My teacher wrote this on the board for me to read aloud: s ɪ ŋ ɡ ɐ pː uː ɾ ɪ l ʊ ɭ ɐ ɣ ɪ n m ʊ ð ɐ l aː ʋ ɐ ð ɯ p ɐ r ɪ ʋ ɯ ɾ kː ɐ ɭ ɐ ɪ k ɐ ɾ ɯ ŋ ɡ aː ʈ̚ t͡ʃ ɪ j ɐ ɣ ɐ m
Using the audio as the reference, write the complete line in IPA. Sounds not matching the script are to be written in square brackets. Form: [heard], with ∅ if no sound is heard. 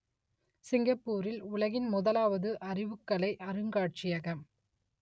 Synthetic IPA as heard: s ɪ ŋ ɡ ɐ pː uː ɾ ɪ l ʊ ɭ ɐ ɣ ɪ n m ʊ ð ɐ l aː ʋ ɐ ð ɯ [ʔ] ɐ r ɪ ʋ ɯ [∅] kː ɐ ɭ ɐ ɪ [ʔ] ɐ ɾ ɯ ŋ ɡ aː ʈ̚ t͡ʃ ɪ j ɐ ɣ ɐ m

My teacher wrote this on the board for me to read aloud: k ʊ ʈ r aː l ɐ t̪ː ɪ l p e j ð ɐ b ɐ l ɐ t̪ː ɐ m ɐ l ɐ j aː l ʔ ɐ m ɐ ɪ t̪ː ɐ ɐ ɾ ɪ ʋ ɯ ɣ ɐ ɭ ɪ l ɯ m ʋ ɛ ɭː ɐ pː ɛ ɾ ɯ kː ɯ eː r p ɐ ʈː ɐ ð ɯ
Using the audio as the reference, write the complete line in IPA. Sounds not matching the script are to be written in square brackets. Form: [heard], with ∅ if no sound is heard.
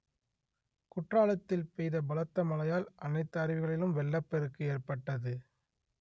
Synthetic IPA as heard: k ʊ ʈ r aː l ɐ t̪ː ɪ l p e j ð ɐ b ɐ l ɐ t̪ː ɐ m ɐ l ɐ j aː l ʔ ɐ [n] ɐ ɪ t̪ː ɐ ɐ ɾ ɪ ʋ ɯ ɣ ɐ ɭ ɪ l ɯ m ʋ ɛ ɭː ɐ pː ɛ ɾ ɯ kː ɯ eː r p ɐ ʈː ɐ ð ɯ

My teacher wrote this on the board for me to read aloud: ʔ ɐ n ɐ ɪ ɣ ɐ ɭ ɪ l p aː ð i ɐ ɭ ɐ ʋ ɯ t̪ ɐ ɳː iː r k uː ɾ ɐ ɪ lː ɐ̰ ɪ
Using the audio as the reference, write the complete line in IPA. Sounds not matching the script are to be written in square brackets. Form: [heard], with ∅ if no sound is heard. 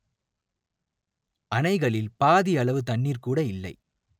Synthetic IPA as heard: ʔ ɐ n ɐ ɪ ɣ ɐ ɭ ɪ l p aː ð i ɐ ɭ ɐ ʋ ɯ t̪ ɐ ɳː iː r k uː [ɽ] ɐ ɪ lː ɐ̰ ɪ

